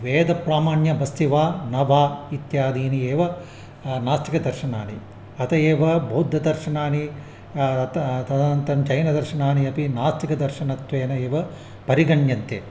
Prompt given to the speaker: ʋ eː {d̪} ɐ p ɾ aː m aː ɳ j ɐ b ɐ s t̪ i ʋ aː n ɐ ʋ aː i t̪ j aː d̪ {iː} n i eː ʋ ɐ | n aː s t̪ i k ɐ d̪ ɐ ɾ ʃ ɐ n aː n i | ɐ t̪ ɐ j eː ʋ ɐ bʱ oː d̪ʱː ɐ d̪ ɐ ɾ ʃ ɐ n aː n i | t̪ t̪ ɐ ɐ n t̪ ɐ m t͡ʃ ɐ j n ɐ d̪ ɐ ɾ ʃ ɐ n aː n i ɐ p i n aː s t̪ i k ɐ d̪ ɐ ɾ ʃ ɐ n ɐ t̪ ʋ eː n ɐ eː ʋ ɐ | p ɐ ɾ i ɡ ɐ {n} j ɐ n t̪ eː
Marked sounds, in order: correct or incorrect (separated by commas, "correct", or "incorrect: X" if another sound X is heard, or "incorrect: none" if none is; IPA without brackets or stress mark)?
correct, correct, incorrect: ɳ